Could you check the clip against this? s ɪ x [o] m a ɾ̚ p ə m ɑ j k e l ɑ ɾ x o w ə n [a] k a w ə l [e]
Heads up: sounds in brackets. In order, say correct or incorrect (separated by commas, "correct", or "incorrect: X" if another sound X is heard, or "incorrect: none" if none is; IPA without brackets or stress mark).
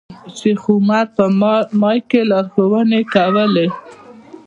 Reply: incorrect: u, incorrect: e, correct